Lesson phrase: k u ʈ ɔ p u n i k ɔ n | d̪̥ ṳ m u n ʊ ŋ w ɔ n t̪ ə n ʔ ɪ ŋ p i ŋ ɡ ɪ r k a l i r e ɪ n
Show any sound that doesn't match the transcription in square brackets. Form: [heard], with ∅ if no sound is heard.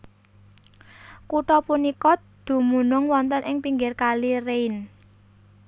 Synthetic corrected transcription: k u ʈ ɔ p u n i k ɔ [∅] | d̪̥ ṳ m u n ʊ ŋ w ɔ n t̪ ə n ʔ ɪ ŋ p i ŋ ɡ ɪ r k a l i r e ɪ n